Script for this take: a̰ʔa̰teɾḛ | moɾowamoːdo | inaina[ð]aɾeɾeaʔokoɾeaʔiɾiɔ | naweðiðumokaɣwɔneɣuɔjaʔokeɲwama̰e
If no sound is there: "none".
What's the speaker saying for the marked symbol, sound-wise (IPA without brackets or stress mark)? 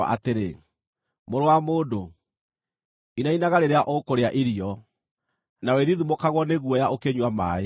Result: ɣ